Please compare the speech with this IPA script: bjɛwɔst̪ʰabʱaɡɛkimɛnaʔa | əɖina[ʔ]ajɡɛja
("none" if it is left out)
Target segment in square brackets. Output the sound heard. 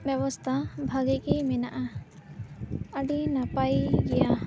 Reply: p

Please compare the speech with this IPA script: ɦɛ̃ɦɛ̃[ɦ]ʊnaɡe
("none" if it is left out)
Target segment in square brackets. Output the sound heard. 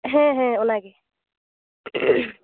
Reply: none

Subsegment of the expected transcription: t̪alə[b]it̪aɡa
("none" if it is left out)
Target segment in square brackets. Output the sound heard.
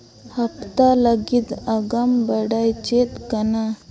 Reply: ɡ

